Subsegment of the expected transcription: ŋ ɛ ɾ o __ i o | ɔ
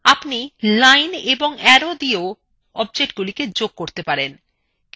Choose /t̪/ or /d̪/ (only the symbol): d̪